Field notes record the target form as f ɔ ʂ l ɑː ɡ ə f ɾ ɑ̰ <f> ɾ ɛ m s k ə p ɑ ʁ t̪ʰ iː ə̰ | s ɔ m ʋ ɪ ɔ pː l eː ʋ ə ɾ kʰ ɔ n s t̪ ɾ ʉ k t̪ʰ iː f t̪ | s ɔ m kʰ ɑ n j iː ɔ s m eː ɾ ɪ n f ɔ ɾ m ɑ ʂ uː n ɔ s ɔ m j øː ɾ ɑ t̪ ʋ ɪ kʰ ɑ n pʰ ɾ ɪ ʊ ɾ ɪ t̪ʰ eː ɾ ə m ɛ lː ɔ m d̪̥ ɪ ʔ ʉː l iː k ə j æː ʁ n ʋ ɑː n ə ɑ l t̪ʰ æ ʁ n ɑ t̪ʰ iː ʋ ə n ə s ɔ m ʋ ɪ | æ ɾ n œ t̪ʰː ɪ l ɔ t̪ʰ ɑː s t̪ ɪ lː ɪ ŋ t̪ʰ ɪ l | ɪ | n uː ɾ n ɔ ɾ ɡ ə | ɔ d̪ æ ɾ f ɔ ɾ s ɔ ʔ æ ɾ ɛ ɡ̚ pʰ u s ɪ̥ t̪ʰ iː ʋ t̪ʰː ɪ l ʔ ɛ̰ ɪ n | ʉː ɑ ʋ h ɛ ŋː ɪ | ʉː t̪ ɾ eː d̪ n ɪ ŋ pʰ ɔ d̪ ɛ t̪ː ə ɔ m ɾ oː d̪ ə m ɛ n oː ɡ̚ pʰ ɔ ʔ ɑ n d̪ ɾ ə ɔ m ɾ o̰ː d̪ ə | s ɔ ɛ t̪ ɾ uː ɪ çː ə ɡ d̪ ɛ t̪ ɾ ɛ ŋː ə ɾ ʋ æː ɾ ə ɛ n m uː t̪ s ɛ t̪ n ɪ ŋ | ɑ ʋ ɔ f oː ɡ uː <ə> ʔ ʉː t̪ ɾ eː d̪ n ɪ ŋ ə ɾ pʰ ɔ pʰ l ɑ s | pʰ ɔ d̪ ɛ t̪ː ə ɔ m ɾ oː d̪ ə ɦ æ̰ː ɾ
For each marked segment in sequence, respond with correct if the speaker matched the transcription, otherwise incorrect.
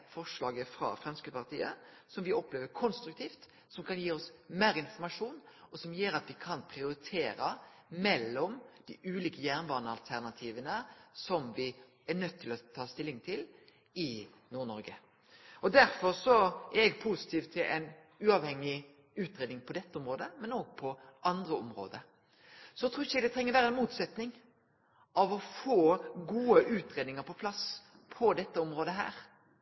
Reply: correct, correct

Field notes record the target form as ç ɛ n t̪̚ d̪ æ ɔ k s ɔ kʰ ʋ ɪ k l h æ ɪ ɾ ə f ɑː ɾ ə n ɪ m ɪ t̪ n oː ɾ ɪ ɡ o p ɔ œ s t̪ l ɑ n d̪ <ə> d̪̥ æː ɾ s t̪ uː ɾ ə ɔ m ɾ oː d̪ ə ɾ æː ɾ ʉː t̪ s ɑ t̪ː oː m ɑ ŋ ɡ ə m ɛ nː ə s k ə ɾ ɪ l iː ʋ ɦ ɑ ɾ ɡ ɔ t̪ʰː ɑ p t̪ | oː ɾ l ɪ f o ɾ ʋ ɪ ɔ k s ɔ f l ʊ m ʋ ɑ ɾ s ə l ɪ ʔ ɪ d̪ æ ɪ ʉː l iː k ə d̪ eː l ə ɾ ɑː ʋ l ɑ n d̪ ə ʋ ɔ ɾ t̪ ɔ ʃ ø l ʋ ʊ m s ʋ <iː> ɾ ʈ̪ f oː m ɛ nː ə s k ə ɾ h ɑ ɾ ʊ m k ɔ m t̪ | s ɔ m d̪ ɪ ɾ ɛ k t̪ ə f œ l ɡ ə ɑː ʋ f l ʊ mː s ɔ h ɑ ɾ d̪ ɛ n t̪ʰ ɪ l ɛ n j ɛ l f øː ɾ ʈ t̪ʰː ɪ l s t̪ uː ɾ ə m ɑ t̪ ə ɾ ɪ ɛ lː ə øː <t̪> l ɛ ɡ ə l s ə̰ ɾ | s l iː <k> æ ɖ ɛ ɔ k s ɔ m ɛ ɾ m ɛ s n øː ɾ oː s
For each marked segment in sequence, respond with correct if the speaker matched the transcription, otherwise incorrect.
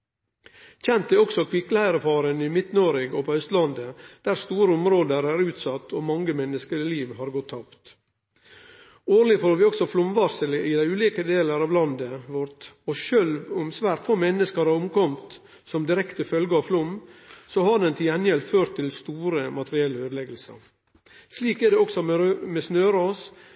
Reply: correct, incorrect, incorrect, correct

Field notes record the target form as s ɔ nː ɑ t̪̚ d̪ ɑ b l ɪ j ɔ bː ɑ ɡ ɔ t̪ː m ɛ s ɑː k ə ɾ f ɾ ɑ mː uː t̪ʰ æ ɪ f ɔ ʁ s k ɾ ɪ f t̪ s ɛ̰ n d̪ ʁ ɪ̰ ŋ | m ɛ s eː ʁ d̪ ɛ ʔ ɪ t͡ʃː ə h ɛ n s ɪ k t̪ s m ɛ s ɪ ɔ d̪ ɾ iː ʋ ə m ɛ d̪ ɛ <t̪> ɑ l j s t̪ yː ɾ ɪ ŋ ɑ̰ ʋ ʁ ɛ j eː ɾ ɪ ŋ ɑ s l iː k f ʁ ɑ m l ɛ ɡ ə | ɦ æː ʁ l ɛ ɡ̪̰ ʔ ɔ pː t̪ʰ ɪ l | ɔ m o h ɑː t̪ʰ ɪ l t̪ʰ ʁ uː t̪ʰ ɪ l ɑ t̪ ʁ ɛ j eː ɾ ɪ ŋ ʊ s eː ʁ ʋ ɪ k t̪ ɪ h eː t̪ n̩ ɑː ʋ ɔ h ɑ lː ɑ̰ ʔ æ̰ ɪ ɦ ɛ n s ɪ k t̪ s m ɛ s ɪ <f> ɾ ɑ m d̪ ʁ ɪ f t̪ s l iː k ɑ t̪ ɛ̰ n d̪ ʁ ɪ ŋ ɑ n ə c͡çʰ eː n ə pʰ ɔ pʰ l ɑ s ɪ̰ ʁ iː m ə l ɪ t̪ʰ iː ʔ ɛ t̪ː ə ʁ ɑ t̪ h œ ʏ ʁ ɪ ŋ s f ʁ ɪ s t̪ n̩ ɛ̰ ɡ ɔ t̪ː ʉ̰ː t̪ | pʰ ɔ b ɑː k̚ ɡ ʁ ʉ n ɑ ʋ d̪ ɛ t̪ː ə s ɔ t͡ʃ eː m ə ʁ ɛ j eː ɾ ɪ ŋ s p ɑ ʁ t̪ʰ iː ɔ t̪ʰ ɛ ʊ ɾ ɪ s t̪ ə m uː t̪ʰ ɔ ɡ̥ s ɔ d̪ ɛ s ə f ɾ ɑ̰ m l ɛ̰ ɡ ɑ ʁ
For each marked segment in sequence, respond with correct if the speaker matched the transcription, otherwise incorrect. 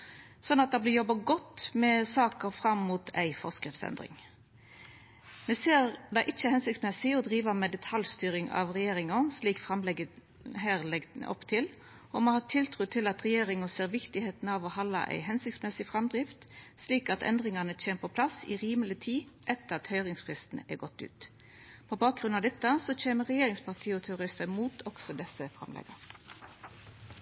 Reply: incorrect, correct

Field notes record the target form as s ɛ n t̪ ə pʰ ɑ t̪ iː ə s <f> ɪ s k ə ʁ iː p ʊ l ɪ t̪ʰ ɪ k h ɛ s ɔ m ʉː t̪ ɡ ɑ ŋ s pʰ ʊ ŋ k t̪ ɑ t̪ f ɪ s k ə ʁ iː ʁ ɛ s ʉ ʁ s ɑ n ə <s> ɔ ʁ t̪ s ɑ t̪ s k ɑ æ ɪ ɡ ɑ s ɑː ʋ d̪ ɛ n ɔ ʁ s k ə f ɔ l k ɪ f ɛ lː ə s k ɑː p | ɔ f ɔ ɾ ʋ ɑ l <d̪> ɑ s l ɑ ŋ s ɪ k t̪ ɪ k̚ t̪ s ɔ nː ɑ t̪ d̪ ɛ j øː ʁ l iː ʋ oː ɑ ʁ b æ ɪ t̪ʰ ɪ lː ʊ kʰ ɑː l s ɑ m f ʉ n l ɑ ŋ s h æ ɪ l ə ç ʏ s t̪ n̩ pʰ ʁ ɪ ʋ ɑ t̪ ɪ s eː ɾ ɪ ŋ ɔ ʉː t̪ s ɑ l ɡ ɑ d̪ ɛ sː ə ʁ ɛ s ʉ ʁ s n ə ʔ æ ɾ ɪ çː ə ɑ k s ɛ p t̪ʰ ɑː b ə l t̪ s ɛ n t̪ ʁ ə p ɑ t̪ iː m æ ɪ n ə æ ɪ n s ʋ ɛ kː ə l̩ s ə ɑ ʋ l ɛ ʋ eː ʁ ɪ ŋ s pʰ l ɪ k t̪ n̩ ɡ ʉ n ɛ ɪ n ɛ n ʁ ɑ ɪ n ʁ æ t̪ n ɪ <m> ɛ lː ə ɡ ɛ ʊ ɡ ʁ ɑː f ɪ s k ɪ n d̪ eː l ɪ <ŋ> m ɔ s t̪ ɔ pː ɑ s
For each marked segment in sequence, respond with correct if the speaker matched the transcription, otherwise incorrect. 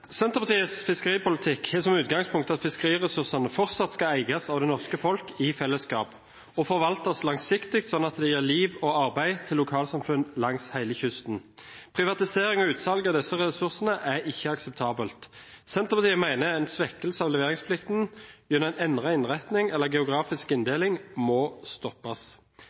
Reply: correct, incorrect, incorrect, incorrect, correct

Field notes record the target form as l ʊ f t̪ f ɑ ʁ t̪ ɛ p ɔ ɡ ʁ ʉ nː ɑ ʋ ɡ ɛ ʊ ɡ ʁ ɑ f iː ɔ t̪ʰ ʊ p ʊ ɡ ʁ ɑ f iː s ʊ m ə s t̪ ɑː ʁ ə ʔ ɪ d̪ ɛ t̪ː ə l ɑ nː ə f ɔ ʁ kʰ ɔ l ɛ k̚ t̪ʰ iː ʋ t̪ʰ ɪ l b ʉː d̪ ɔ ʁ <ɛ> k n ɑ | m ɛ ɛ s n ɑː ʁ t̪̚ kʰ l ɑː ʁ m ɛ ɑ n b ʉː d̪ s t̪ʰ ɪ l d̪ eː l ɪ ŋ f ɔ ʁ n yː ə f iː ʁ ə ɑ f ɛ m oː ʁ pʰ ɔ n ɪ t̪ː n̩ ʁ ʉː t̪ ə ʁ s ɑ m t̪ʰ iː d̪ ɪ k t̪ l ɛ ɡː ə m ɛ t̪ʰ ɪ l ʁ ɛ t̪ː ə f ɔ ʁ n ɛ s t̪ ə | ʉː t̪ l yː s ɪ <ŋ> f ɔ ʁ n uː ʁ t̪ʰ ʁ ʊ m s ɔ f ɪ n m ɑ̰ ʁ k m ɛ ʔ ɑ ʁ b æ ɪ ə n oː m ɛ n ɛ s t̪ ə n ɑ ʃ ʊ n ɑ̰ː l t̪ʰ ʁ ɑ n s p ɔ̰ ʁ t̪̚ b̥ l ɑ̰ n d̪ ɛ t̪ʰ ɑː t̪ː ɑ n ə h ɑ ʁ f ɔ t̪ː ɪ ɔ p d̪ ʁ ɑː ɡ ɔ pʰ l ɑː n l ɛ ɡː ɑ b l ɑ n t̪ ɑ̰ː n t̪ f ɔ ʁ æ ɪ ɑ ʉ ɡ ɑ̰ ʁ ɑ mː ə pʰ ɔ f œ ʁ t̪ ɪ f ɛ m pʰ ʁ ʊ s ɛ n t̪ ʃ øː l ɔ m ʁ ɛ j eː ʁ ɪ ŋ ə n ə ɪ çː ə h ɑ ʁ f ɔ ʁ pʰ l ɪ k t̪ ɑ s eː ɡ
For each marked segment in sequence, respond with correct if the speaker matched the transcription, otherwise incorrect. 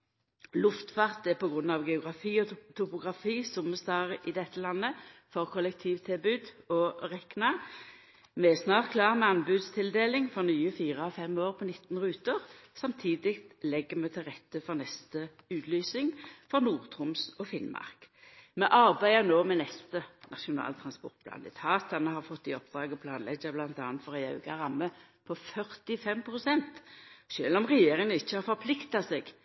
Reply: correct, correct

